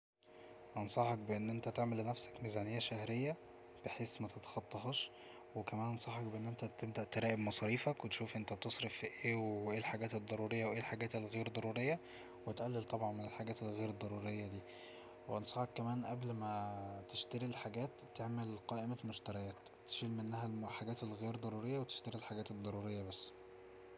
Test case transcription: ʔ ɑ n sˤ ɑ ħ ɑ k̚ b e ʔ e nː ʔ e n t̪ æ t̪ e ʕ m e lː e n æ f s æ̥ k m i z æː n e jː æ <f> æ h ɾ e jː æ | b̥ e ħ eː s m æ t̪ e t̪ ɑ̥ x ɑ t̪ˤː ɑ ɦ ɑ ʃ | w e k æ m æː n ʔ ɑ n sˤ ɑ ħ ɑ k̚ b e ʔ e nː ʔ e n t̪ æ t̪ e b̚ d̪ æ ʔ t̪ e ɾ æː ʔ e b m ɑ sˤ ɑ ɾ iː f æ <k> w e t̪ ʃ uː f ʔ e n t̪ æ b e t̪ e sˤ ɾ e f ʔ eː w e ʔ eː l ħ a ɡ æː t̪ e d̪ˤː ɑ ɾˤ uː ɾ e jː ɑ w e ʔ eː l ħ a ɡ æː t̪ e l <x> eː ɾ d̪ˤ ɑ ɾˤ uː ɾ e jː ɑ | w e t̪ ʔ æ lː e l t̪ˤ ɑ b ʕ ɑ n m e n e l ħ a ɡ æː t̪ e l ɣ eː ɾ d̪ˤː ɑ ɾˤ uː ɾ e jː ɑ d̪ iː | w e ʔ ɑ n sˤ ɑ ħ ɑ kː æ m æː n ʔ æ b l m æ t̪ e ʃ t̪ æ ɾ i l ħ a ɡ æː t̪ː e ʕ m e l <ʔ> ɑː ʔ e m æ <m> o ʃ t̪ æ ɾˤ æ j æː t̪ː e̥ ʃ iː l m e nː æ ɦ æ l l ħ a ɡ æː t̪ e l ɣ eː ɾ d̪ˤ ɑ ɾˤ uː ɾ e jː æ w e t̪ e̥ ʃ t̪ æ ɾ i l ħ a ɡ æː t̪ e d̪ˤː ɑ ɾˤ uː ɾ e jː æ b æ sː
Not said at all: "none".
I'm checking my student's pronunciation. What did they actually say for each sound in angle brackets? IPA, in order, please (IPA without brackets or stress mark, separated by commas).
ʃ, k, ɣ, q, m